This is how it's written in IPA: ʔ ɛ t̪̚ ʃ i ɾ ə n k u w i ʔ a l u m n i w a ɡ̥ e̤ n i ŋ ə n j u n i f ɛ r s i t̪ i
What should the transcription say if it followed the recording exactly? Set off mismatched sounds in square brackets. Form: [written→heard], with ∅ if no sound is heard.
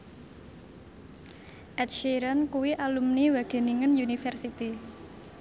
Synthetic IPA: ʔ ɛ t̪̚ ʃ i ɾ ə n k u w i ʔ a l u m n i w a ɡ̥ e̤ n i ŋ ə n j u n i f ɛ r s i t̪ i